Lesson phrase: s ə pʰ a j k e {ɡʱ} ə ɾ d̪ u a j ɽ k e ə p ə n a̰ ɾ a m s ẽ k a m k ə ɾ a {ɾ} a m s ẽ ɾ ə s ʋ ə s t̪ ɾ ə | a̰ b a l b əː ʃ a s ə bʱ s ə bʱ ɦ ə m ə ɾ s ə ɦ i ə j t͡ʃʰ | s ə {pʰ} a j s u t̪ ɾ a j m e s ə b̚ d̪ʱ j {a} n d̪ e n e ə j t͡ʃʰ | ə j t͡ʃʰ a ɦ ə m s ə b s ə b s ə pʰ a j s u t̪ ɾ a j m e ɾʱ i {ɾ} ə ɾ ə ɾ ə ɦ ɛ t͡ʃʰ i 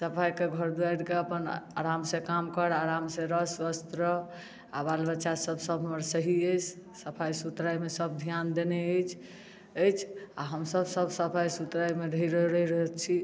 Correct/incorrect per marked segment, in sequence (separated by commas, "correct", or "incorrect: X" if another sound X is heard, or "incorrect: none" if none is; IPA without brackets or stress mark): correct, correct, correct, correct, correct